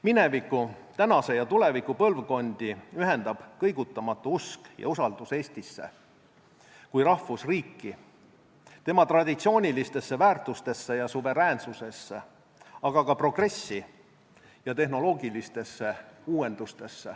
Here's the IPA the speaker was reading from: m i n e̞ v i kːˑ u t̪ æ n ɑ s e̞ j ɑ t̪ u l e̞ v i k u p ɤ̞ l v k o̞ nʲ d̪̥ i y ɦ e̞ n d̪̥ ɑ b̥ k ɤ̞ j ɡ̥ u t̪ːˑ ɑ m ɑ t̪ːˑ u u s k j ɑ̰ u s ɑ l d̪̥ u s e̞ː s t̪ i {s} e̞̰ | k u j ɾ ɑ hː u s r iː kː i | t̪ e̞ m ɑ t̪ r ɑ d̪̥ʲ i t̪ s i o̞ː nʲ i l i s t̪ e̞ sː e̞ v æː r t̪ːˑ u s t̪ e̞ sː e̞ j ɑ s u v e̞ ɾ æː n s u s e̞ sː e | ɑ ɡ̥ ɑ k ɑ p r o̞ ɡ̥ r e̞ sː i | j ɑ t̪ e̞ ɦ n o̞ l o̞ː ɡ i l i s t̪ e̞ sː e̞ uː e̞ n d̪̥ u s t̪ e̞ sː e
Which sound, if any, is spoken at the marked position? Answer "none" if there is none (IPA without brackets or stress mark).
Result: sː